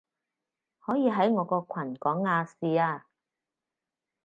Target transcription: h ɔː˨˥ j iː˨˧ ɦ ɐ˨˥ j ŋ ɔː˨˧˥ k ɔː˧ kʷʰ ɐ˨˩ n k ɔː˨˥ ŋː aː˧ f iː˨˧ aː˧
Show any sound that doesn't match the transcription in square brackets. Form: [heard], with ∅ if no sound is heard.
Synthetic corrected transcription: h ɔː˨˥ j iː˨˧ ɦ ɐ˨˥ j ŋ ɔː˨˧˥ k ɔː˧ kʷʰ ɐ˨˩ n k ɔː˨˥ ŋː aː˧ [s] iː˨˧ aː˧